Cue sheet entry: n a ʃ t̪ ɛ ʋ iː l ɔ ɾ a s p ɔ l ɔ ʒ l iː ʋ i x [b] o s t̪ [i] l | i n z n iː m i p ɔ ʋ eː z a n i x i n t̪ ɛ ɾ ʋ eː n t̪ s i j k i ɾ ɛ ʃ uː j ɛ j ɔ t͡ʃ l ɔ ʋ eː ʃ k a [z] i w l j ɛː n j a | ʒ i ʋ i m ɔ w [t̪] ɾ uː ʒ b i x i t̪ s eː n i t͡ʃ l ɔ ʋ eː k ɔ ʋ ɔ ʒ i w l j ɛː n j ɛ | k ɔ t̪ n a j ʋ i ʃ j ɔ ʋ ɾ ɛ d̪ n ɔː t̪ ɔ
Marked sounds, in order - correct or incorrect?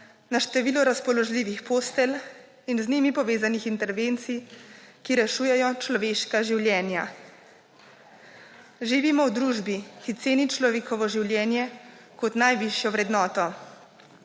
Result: incorrect: p, incorrect: ɛ, incorrect: ʒ, incorrect: d̪

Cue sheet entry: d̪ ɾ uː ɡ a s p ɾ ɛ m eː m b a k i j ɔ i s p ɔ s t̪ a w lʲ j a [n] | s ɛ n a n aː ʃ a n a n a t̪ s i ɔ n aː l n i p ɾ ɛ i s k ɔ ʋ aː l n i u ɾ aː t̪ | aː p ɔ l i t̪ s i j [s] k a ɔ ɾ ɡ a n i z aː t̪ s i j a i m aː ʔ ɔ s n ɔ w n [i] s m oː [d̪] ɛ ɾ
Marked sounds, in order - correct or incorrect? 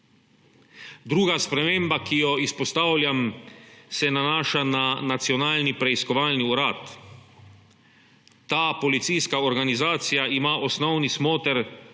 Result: incorrect: m, correct, correct, incorrect: t̪

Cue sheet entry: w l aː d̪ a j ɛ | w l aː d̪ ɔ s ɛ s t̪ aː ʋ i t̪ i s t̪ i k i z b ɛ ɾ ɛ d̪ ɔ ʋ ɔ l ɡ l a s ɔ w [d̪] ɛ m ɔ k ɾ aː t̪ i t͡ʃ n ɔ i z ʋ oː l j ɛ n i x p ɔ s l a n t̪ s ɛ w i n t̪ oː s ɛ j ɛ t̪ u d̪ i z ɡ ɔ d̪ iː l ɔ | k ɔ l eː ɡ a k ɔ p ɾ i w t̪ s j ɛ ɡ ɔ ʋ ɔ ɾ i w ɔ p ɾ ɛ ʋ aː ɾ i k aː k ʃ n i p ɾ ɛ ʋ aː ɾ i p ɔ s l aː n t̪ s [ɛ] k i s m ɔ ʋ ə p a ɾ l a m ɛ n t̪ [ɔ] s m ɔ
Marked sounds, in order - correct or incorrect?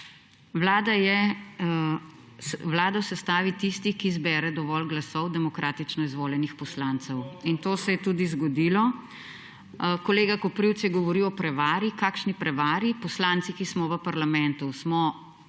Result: correct, incorrect: i, incorrect: u

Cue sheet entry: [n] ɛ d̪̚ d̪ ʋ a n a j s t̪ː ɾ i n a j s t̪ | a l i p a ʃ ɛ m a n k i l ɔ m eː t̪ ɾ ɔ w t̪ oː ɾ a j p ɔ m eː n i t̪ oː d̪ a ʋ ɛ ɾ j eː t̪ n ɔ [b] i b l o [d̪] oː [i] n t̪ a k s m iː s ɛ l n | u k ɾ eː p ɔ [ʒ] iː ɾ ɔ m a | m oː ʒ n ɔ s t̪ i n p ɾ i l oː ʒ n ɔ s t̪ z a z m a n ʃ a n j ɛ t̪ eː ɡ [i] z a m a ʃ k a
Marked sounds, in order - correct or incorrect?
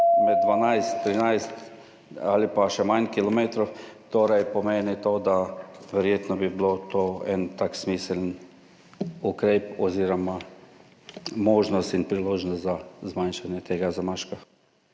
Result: incorrect: m, correct, incorrect: t̪, incorrect: ɛ, incorrect: z, incorrect: a

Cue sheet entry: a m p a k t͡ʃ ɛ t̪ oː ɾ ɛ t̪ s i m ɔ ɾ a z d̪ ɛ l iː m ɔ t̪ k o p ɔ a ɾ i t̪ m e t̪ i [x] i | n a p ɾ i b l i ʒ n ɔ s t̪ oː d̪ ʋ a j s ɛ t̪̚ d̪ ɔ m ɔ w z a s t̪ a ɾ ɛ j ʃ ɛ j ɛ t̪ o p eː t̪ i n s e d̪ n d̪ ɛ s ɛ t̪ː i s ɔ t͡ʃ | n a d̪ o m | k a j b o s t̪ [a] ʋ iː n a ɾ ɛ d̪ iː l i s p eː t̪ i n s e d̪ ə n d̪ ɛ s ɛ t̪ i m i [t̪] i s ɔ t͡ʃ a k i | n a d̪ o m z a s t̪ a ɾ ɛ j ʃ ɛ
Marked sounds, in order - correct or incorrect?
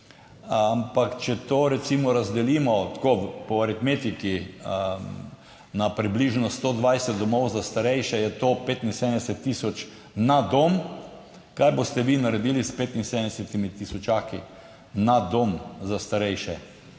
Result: incorrect: k, incorrect: ɛ, correct

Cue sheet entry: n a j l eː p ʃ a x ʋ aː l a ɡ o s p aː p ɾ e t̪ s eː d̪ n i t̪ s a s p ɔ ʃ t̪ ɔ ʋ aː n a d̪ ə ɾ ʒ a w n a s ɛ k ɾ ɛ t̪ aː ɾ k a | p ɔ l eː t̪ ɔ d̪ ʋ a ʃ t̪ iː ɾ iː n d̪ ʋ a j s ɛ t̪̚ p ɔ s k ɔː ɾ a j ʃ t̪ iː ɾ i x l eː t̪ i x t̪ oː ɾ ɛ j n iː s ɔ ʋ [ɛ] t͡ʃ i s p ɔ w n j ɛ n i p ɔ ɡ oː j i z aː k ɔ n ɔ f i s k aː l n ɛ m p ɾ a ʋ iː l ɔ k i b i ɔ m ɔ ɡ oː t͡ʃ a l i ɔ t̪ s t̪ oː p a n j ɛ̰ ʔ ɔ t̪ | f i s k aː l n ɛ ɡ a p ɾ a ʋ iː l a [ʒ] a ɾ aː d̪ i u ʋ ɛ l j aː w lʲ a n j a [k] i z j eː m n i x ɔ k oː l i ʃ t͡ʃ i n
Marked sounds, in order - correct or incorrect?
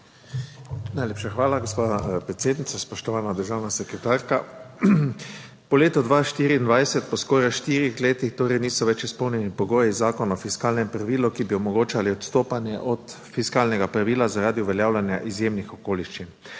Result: correct, incorrect: z, incorrect: ʔ

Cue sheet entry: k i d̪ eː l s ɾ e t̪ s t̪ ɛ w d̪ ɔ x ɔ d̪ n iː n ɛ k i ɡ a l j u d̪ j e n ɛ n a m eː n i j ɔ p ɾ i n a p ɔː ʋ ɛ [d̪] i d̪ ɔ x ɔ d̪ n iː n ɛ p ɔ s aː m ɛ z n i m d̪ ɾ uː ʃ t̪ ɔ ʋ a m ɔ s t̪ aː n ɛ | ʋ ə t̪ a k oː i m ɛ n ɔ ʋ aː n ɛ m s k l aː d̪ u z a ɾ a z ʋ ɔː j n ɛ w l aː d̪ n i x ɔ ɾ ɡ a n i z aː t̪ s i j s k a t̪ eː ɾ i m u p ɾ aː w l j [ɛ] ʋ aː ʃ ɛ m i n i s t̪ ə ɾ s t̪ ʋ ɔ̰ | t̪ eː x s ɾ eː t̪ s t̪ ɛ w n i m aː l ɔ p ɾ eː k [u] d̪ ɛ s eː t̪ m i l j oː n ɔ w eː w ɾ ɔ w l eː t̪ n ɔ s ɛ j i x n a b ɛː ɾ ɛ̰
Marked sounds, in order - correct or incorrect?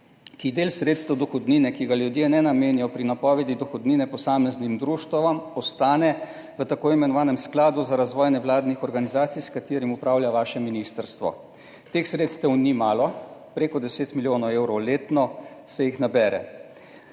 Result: correct, incorrect: a, incorrect: ɔ

